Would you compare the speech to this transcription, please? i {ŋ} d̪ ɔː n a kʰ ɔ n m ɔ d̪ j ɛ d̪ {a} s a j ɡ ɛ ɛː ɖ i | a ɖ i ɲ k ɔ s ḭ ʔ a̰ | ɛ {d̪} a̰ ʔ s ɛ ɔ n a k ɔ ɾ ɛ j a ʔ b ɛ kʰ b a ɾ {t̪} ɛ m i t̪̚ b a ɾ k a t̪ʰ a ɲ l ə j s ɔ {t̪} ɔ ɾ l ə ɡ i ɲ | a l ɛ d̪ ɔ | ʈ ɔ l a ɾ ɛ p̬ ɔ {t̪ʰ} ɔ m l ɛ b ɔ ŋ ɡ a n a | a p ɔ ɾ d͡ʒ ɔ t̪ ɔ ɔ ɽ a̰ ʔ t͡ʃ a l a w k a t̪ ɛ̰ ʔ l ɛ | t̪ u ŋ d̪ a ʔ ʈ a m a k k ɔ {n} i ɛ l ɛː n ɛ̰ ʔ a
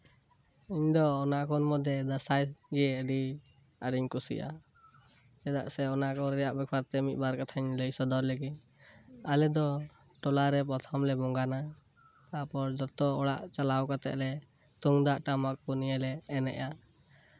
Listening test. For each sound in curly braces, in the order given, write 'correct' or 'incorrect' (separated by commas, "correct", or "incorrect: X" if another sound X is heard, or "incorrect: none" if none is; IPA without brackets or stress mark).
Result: incorrect: ɲ, correct, correct, correct, incorrect: d̪, correct, correct